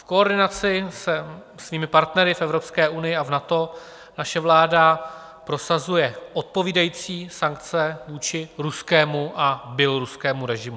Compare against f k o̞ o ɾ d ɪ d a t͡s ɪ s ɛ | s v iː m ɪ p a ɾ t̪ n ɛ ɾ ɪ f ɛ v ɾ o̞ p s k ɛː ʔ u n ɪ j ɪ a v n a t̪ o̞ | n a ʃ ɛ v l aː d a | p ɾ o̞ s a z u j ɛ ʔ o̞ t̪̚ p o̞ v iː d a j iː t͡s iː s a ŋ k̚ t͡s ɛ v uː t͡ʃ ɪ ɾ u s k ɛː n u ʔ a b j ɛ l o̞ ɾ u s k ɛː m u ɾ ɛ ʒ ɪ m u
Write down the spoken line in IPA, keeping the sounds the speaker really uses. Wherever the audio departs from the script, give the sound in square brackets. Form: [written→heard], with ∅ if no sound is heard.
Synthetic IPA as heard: f k o̞ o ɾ d ɪ [d→n] a t͡s ɪ s ɛ | s v iː m ɪ p a ɾ t̪ n ɛ ɾ ɪ f ɛ v ɾ o̞ p s k ɛː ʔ u n ɪ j ɪ a v n a t̪ o̞ | n a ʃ ɛ v l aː d a | p ɾ o̞ s a z u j ɛ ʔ o̞ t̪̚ p o̞ v iː d a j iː t͡s iː s a ŋ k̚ t͡s ɛ v uː t͡ʃ ɪ ɾ u s k ɛː [n→m] u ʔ a b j ɛ l o̞ ɾ u s k ɛː m u ɾ ɛ ʒ ɪ m u